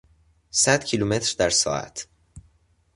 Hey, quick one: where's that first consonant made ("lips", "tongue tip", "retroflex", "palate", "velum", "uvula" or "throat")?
tongue tip